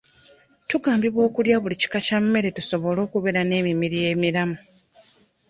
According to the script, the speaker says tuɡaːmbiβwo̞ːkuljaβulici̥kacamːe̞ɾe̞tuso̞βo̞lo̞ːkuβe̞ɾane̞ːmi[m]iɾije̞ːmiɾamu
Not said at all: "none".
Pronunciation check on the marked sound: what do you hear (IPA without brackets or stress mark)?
m